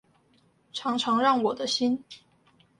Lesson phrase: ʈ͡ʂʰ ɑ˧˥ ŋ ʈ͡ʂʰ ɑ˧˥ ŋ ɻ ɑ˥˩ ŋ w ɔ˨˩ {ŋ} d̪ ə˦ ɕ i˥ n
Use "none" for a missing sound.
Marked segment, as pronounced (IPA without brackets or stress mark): none